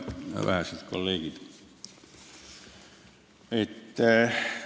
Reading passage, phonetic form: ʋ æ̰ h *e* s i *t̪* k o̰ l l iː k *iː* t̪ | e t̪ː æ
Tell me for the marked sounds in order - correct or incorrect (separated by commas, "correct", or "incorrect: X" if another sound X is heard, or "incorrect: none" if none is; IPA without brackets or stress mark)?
incorrect: æ, correct, incorrect: i